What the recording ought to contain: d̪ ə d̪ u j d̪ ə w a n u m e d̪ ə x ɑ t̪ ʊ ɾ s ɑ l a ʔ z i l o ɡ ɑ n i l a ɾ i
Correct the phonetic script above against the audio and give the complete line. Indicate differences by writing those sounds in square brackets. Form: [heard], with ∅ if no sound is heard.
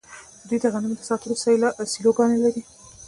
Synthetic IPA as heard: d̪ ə d̪ u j d̪ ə [ɣ] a n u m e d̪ ə [s] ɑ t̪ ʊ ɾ s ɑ l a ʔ [s] i l o ɡ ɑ n [e] l a ɾ i